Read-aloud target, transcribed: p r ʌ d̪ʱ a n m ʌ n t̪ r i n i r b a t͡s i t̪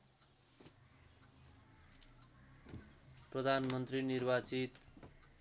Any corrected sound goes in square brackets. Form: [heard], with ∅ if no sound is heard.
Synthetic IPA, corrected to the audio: p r ʌ d̪ʱ a n m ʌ n t̪ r i n i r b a t͡s i t̪